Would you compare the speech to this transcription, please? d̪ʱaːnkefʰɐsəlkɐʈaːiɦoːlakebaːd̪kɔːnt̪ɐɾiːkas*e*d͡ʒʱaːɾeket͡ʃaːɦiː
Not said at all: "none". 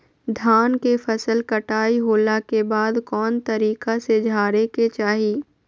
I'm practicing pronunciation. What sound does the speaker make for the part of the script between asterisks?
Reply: e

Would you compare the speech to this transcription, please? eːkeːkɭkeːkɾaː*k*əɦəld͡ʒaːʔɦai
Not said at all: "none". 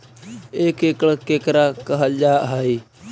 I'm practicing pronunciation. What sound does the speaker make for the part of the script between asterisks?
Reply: k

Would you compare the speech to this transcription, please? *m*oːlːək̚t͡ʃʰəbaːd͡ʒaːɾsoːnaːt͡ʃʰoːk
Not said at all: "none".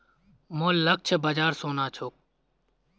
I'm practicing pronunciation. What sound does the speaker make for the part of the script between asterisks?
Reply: m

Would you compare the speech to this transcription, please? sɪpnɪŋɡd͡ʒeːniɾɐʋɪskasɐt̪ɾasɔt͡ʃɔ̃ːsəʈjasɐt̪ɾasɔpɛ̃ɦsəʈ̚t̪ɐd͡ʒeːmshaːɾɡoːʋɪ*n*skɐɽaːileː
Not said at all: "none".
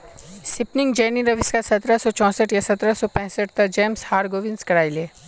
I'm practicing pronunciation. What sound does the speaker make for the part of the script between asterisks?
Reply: n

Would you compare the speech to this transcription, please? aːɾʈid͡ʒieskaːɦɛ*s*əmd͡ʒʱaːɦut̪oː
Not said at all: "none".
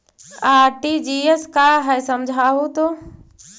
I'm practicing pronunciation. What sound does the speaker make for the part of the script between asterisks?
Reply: s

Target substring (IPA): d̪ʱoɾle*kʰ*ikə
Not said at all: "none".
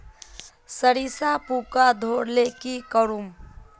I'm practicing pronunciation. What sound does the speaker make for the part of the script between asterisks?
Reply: k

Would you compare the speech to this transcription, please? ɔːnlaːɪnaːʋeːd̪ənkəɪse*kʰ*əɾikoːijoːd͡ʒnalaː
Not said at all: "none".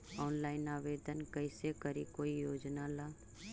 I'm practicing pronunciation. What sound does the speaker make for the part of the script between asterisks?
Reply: k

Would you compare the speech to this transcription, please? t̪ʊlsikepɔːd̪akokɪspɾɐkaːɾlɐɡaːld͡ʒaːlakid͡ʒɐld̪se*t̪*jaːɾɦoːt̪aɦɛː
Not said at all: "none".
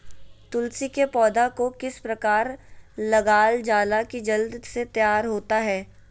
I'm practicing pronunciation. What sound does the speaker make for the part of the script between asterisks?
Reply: t̪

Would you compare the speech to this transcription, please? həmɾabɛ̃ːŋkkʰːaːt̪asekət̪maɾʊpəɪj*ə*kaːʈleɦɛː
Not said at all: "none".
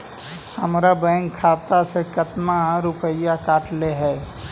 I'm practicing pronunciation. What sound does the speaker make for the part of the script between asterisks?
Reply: a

